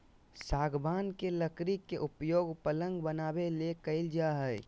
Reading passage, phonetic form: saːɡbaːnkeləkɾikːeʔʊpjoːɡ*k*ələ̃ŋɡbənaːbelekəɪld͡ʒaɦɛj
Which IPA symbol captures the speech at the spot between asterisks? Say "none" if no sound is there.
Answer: p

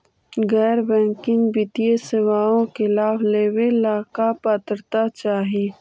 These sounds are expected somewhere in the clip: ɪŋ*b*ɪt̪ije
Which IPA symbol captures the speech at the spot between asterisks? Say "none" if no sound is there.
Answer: b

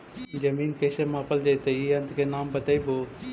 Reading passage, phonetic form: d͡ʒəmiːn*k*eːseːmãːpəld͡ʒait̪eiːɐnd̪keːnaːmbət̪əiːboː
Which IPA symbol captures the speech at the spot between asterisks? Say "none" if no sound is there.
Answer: k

